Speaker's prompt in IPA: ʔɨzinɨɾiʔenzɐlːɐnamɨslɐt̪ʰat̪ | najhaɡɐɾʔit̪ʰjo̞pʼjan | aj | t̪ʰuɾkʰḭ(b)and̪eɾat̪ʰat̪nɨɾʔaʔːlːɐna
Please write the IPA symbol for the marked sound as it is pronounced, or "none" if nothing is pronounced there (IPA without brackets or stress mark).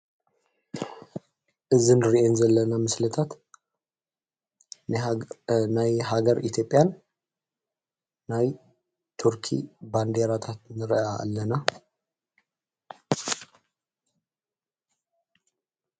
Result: b